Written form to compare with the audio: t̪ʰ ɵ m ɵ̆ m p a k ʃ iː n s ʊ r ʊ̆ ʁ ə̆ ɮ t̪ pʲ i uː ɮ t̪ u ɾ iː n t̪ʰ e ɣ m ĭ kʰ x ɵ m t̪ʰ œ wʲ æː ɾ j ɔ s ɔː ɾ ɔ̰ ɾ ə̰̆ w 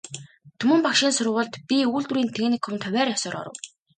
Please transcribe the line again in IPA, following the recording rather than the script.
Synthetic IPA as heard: t̪ʰ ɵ m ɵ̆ m p a k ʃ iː n s ʊ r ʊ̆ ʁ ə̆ ɮ t̪ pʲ i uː ɮ t̪ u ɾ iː n t̪ʰ e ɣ n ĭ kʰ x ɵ m t̪ʰ œ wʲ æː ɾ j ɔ s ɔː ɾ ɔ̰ ɾ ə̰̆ w